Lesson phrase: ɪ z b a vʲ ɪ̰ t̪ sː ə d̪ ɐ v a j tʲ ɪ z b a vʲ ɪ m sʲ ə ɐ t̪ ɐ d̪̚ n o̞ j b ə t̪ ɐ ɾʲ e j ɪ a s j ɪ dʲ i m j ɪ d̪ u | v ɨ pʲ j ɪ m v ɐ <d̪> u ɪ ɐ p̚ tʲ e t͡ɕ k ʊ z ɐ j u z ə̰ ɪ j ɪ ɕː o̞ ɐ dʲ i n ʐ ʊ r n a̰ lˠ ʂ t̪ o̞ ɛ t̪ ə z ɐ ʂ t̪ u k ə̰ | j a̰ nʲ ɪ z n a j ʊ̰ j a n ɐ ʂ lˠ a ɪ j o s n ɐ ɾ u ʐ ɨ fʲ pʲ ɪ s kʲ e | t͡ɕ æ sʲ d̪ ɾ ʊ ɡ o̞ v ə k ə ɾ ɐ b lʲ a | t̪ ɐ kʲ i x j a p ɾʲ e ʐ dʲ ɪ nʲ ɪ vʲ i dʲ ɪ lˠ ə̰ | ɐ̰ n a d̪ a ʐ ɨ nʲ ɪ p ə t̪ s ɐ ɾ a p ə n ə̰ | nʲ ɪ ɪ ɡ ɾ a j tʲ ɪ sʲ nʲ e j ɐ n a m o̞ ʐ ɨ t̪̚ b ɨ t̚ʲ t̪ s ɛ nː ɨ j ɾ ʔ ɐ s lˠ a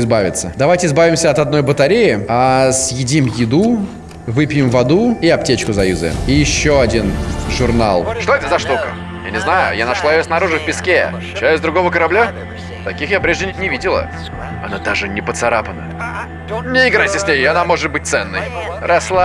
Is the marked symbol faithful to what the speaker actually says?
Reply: yes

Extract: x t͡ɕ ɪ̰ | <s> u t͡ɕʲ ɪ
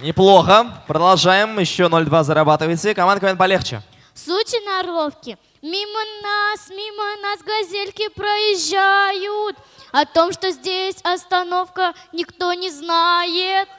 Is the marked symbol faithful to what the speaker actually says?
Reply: yes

